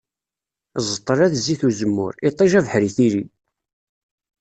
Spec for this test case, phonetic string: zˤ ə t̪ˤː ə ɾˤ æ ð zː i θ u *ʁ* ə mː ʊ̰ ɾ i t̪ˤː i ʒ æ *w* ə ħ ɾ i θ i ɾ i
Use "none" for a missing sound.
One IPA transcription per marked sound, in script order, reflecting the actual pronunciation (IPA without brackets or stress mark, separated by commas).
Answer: z, v